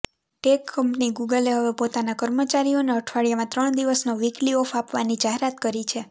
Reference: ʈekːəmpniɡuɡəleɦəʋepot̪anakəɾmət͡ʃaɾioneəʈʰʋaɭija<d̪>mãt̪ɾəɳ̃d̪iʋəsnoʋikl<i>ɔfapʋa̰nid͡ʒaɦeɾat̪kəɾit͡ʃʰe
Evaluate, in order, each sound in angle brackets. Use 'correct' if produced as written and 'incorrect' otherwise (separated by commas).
incorrect, correct